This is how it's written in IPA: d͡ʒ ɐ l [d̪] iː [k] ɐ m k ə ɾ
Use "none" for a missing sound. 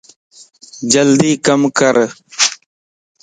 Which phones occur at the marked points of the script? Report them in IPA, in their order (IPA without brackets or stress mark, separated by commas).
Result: d̪, k